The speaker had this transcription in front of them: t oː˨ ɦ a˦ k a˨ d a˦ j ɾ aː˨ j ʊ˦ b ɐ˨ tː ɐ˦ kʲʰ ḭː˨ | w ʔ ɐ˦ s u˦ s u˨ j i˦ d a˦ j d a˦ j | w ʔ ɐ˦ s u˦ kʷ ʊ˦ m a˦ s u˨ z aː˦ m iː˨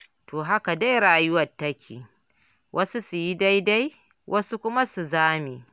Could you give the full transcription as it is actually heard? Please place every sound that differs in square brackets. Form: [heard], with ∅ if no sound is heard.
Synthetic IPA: t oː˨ ɦ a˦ k a˨ d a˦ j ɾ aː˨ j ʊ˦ [w] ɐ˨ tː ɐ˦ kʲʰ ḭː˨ | w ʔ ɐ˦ s u˦ s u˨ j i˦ d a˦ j d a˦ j | w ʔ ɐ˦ s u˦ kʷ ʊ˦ m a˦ s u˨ z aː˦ m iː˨